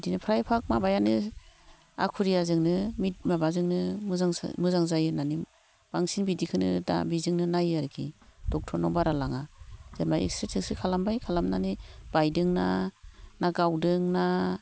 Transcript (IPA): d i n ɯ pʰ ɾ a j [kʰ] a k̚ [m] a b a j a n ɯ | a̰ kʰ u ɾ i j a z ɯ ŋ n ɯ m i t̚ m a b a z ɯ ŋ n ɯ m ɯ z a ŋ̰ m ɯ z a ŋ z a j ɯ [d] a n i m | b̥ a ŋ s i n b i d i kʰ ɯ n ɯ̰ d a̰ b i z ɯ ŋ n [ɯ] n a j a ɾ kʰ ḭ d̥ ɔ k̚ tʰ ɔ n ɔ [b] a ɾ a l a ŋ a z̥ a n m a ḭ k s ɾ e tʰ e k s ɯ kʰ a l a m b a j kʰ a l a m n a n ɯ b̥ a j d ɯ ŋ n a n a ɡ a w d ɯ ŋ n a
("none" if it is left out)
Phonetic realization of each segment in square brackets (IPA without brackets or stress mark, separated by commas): pʰ, m, n, ɯ, b